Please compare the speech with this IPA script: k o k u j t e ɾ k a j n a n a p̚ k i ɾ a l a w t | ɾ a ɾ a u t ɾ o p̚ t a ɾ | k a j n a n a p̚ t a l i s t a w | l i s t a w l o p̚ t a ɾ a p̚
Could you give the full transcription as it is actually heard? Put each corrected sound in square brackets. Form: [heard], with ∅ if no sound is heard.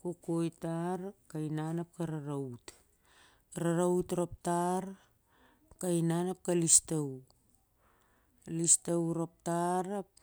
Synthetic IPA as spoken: k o k [o] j t [a] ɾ k a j n a n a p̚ k [a] ɾ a [ɾ] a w t | ɾ a ɾ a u t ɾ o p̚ t a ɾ | k a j n a n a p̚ [k] a l i s t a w | l i s t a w [ɾ] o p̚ t a ɾ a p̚